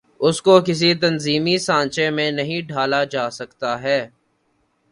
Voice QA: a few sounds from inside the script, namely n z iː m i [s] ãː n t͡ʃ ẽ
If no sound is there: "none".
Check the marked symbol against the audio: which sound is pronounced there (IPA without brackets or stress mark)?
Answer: s